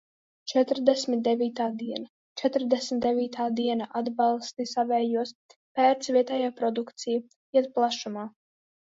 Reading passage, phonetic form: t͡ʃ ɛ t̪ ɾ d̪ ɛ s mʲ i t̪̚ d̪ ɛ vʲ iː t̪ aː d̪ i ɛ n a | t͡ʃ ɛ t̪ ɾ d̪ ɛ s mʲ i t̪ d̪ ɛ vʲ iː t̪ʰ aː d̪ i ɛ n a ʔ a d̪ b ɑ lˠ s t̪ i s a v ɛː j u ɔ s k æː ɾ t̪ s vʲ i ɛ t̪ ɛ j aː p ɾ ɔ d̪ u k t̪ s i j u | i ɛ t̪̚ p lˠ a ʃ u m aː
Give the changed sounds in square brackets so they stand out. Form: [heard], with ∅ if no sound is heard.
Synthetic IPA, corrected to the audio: t͡ʃ ɛ t̪ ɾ d̪ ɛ s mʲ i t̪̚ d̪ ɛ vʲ iː t̪ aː d̪ i ɛ n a | t͡ʃ ɛ t̪ ɾ d̪ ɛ s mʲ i t̪ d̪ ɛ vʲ iː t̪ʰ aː d̪ i ɛ n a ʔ a d̪ b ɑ lˠ s t̪ i s a v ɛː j u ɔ s [p] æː ɾ t̪ s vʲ i ɛ t̪ ɛ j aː p ɾ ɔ d̪ u k t̪ s i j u | i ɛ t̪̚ p lˠ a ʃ u m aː